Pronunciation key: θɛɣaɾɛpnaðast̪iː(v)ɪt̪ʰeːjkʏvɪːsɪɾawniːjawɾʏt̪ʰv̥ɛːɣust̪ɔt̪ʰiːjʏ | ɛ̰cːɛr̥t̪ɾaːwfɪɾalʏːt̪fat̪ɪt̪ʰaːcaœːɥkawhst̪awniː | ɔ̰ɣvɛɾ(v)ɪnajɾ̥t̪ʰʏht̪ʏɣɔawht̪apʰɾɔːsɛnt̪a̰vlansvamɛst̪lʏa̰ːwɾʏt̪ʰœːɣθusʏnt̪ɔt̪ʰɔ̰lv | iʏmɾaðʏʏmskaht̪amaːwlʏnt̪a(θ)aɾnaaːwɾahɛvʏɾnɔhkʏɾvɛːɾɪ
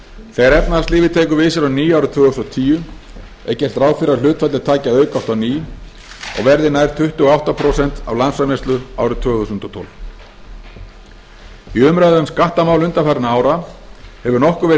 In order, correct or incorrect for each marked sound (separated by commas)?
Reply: correct, incorrect, incorrect